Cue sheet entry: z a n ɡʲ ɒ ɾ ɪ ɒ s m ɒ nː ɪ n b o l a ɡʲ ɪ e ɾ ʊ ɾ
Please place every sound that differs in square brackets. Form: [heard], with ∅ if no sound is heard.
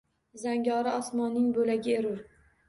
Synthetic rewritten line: z a [ŋ] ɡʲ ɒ ɾ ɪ ɒ s m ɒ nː ɪ [ŋ] b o l a ɡʲ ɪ e ɾ ʊ ɾ